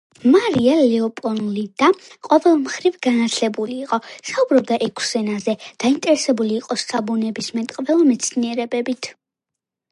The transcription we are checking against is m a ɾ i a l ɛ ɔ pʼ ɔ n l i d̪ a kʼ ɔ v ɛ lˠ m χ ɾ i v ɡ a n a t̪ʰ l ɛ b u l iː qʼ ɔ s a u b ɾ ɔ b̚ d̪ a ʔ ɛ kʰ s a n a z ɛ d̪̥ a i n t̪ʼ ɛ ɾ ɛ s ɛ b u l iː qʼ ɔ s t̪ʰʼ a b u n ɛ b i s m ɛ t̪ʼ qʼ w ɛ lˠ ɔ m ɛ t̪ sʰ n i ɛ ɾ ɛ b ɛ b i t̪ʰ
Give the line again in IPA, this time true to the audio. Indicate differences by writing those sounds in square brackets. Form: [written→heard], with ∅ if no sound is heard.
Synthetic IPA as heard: m a ɾ i a l ɛ ɔ pʼ ɔ n l i d̪ a [kʼ→qʼ] ɔ v ɛ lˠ m χ ɾ i v ɡ a n a t̪ʰ l ɛ b u l iː qʼ ɔ s a u b ɾ ɔ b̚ d̪ a ʔ ɛ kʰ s [a→ɛ] n a z ɛ d̪̥ a i n t̪ʼ ɛ ɾ ɛ s ɛ b u l iː qʼ ɔ s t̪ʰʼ a b u n ɛ b i s m ɛ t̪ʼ qʼ [w→v] ɛ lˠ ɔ m ɛ t̪ sʰ n i ɛ ɾ ɛ b ɛ b i t̪ʰ

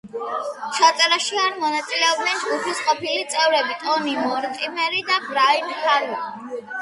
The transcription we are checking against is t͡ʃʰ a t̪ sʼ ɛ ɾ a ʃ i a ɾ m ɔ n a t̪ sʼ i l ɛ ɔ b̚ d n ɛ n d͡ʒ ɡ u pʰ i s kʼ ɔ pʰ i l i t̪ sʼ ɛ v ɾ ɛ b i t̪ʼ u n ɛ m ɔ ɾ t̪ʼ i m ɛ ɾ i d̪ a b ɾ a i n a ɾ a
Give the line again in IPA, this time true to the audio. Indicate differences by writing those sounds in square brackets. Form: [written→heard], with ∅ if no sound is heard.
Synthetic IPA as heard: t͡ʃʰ a t̪ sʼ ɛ ɾ a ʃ i a ɾ m ɔ n a t̪ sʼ i l ɛ ɔ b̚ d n ɛ n d͡ʒ ɡ u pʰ i s [kʼ→qʼ] ɔ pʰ i l i t̪ sʼ ɛ v ɾ ɛ b i t̪ʼ [u→ɔ] n [ɛ→i] m ɔ ɾ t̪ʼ i m ɛ ɾ i d̪ a b ɾ a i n a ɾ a

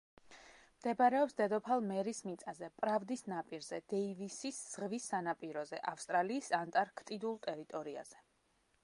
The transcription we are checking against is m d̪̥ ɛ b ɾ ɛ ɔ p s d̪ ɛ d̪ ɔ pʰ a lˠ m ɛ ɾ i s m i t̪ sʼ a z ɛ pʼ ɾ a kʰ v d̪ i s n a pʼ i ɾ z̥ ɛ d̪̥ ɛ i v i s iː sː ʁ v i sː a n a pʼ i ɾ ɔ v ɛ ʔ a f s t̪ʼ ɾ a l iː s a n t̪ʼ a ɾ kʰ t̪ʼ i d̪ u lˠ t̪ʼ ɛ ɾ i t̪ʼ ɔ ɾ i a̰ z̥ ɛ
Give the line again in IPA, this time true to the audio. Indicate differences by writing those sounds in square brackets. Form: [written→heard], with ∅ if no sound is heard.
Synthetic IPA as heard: m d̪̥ ɛ b ɾ ɛ ɔ p s d̪ ɛ d̪ ɔ pʰ a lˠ m ɛ ɾ i s m i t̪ sʼ a z ɛ pʼ ɾ a [kʰ→∅] v d̪ i s n a pʼ i ɾ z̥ ɛ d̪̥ ɛ i v i s [iː→i] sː ʁ v i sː a n a pʼ i ɾ ɔ [v→z] ɛ ʔ a f s t̪ʼ ɾ a l iː s a n t̪ʼ a ɾ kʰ t̪ʼ i d̪ u lˠ t̪ʼ ɛ ɾ i t̪ʼ ɔ ɾ i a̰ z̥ ɛ

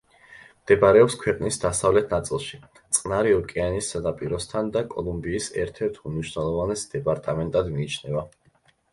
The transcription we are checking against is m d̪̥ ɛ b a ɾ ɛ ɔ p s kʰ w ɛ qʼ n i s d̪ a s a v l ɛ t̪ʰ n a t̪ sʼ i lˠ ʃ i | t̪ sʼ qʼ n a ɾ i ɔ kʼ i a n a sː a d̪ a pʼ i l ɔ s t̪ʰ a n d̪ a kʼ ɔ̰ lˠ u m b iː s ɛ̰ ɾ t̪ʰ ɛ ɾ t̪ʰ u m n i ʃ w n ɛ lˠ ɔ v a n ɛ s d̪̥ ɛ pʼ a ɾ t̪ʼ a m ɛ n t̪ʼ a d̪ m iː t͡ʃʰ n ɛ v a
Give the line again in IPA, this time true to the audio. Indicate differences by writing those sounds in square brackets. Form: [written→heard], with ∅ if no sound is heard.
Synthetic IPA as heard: m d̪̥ ɛ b a ɾ ɛ ɔ p s kʰ w ɛ qʼ n i s d̪ a s a v l ɛ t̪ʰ n a t̪ sʼ i lˠ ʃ i | t̪ sʼ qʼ n a ɾ i ɔ kʼ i a n [a→i] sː a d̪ a pʼ i [l→ɾ] ɔ s t̪ʰ a n d̪ a kʼ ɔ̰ lˠ u m b iː s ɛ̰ ɾ t̪ʰ ɛ ɾ t̪ʰ u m n i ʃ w n ɛ lˠ ɔ v a n ɛ s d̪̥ ɛ pʼ a ɾ t̪ʼ a m ɛ n t̪ʼ a d̪ m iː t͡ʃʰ n ɛ v a

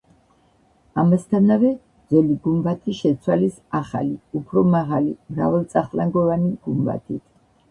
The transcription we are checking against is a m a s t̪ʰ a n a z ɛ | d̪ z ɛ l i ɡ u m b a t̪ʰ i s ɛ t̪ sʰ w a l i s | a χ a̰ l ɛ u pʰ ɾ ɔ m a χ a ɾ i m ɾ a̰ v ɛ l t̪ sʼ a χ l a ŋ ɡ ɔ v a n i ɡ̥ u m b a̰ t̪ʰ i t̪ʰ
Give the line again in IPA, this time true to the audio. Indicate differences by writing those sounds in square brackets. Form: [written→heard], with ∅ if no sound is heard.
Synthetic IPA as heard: a m a s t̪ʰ a n a [z→v] ɛ | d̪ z ɛ l i ɡ u m b a t̪ʰ i [s→ʃ] ɛ t̪ sʰ w a l i s | a χ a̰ l [ɛ→i] u pʰ ɾ ɔ m a [χ→ʁ] a [ɾ→l] i m ɾ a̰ v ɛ l t̪ sʼ a χ l a ŋ ɡ ɔ v a n i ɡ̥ u m b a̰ t̪ʰ i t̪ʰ

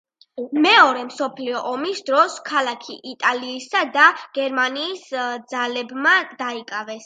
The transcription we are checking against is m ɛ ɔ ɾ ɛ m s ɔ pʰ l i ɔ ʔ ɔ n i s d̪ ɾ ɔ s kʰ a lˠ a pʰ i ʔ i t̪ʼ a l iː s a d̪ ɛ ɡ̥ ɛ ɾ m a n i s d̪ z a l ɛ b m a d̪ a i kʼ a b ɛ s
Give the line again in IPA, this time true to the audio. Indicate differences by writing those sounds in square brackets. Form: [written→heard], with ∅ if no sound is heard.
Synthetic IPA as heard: m ɛ ɔ ɾ ɛ m s ɔ pʰ l i ɔ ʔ ɔ [n→m] i s d̪ ɾ ɔ s kʰ a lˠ a [pʰ→kʰ] i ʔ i t̪ʼ a l iː s a d̪ [ɛ→a] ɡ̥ ɛ ɾ m a n [i→iː] s d̪ z a l ɛ b m a d̪ a i kʼ a [b→v] ɛ s

